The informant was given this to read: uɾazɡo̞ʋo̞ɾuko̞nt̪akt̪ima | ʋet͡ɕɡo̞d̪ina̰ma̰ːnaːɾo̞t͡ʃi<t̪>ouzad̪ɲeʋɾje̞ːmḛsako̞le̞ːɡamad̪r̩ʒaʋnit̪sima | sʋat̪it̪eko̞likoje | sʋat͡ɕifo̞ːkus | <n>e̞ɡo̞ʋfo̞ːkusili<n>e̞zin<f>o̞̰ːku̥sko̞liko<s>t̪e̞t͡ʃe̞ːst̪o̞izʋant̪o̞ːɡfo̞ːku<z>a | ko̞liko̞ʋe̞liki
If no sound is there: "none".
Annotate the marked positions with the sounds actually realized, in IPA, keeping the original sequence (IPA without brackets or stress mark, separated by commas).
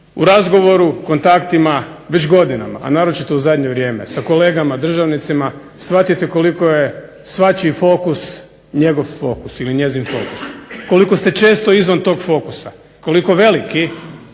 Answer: t̪, ɲ, ɲ, f, s, s